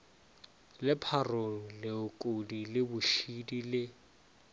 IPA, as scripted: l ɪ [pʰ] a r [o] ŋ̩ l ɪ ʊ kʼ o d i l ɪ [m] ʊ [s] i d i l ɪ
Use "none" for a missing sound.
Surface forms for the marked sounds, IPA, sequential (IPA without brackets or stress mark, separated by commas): pʰ, o, b, ʃ